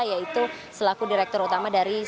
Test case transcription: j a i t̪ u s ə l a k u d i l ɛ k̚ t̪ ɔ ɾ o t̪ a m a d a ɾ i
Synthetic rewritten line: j a i t̪ u s ə l a k u d i ɾ ɛ k̚ t̪ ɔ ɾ u t̪ a m a d a ɾ i